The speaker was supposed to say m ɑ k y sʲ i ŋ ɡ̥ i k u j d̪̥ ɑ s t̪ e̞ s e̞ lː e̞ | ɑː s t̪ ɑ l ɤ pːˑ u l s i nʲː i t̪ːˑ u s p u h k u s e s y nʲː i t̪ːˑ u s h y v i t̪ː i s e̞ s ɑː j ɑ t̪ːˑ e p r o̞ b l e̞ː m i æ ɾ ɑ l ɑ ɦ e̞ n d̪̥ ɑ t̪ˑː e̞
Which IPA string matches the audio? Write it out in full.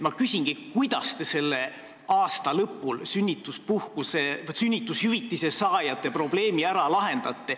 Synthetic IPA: m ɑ k y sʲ i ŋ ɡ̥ i k u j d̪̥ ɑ s t̪ e̞ s e̞ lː e̞ | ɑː s t̪ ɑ l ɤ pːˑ u l s y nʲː i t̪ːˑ u s p u h k u s e s y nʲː i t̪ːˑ u s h y v i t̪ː i s e̞ s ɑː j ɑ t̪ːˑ e p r o̞ b l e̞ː m i æ ɾ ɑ l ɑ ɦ e̞ n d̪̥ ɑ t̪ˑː e̞